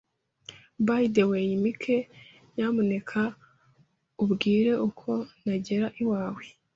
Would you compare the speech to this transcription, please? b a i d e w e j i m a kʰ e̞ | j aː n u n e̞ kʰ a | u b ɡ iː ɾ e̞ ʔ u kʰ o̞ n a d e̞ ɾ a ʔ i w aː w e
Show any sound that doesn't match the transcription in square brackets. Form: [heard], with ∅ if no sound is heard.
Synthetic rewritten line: b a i d e w e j i m [i] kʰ e̞ | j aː [m] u n e̞ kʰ a | u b ɡ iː ɾ e̞ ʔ u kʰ o̞ n a [ɟ] e̞ ɾ a ʔ i w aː w e